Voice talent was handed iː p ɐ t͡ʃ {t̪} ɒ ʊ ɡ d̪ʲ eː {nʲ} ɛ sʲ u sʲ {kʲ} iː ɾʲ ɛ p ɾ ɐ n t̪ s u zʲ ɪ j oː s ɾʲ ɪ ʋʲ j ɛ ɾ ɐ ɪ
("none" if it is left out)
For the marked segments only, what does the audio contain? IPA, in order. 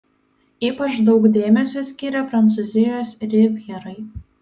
d̪, mʲ, kʲ

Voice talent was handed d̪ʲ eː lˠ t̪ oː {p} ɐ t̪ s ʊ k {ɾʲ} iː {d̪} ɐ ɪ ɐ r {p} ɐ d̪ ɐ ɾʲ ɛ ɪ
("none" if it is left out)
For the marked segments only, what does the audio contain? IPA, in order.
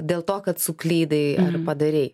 k, lʲ, d̪, p

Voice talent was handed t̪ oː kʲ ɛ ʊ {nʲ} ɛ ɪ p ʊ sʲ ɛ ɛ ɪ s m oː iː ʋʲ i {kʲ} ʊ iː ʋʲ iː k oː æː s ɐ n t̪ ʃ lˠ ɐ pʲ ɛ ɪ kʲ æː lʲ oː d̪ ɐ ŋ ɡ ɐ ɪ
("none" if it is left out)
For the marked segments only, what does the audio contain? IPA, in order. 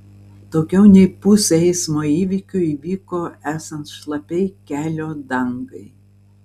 nʲ, kʲ

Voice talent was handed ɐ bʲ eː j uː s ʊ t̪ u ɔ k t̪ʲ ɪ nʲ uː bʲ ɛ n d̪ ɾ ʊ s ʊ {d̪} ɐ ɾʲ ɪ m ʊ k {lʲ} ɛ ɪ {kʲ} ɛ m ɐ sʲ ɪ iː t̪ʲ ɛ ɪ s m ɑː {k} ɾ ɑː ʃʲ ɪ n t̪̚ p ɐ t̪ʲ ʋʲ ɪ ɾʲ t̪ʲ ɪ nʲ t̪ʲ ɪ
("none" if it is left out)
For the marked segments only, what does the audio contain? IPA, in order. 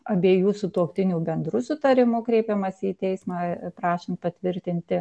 t̪, ɾʲ, pʲ, p

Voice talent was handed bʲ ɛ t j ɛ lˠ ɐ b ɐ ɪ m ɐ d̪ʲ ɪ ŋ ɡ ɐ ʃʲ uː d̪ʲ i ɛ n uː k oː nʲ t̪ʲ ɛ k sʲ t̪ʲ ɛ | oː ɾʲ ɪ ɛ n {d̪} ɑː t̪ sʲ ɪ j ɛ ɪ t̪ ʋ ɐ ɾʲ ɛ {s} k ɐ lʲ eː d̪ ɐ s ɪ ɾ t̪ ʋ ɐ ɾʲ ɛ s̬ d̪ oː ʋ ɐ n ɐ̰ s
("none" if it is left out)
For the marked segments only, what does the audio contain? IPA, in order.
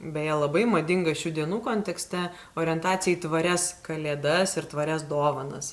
t̪, s

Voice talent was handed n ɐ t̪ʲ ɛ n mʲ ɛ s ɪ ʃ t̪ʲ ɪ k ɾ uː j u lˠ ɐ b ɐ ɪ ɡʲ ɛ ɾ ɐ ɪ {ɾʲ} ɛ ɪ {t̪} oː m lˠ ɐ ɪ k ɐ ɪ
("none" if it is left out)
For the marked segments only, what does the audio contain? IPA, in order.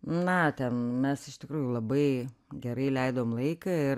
lʲ, d̪

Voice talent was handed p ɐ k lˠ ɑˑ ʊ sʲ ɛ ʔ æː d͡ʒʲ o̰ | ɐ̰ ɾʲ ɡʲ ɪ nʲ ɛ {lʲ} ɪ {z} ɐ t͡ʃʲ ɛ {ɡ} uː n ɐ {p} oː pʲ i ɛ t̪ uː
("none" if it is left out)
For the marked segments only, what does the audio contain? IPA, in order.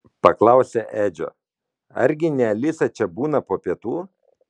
lʲ, s, b, p

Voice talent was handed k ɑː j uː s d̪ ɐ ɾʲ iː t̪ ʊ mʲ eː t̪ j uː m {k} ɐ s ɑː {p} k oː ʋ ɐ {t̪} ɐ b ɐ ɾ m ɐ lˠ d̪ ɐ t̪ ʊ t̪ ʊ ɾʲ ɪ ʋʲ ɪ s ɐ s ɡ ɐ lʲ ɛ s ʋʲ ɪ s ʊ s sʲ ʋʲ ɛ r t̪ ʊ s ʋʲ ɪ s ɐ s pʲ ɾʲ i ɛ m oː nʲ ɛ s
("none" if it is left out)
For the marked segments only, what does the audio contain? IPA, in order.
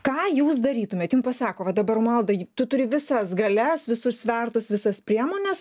p, none, d̪

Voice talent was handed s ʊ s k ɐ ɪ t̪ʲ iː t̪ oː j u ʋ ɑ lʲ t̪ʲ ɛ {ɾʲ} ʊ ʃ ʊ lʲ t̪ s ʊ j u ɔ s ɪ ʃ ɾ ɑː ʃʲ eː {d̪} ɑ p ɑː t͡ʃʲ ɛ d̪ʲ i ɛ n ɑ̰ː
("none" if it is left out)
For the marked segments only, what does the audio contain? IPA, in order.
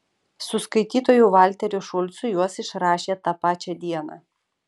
ɾʲ, t̪

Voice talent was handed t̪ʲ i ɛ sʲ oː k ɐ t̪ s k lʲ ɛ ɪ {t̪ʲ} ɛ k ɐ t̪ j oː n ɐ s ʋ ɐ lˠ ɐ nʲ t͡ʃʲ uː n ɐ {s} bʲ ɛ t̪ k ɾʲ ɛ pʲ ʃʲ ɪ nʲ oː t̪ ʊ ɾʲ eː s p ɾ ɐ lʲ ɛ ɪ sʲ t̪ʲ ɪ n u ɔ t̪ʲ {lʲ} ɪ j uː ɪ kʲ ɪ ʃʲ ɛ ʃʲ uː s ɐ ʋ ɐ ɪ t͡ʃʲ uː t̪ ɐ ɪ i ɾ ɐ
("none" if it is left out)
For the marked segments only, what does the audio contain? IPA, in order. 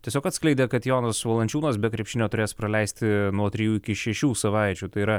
d̪ʲ, s, ɾʲ

